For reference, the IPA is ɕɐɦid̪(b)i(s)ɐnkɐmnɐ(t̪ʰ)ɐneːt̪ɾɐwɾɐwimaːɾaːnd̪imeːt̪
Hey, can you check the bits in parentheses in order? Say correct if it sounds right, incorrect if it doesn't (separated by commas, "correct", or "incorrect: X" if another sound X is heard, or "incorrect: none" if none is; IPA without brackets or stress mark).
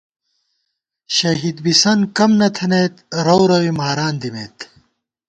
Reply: correct, correct, correct